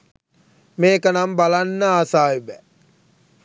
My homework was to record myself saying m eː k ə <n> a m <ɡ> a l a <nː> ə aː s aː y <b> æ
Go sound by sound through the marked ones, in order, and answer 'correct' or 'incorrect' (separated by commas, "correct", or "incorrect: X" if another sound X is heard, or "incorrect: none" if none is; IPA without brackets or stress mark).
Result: correct, incorrect: b, correct, correct